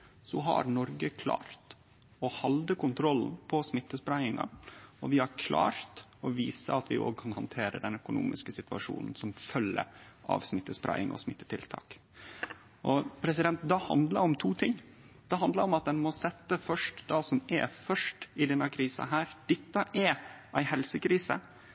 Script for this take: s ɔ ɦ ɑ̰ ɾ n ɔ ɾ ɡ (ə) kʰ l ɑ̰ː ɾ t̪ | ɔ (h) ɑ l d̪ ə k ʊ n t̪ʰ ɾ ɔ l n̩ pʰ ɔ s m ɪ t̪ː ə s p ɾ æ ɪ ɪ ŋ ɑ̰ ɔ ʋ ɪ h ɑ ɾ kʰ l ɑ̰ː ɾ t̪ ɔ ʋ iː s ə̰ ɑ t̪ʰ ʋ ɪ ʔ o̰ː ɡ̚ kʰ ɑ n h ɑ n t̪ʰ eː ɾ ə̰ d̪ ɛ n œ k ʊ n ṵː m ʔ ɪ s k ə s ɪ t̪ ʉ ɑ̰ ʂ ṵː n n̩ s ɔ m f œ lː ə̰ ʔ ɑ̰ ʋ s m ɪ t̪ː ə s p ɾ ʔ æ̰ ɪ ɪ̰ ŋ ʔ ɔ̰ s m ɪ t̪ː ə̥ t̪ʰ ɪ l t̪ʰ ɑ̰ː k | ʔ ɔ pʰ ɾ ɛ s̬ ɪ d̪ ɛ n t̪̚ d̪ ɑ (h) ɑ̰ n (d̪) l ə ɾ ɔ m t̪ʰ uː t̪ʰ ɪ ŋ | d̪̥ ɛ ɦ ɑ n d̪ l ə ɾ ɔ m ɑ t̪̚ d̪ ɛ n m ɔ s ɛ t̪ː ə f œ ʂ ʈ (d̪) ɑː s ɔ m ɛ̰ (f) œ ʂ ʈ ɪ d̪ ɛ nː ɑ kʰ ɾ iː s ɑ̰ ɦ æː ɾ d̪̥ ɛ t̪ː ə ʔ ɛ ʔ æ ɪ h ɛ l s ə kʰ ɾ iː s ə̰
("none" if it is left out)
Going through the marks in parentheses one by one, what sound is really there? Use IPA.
ə, h, h, d̪, d̪, f

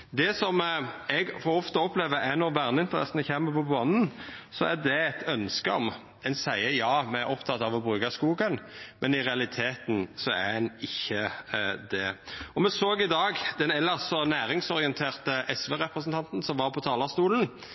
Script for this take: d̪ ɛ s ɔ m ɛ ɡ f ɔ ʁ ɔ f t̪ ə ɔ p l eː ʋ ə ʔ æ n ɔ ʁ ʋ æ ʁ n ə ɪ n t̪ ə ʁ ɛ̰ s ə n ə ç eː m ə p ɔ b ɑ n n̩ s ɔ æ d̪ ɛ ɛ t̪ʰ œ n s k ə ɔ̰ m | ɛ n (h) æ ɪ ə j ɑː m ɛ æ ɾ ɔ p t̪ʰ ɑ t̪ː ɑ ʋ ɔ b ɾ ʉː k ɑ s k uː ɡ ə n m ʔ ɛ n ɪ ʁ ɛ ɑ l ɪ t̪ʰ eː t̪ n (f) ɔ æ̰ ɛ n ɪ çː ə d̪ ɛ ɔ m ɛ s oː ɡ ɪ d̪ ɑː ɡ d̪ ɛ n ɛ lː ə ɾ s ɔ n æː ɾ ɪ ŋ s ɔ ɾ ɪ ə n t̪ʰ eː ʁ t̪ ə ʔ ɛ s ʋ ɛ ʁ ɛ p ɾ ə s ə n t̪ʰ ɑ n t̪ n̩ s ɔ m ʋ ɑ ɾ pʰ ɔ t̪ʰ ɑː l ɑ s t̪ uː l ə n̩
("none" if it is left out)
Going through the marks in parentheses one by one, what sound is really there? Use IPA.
s, s

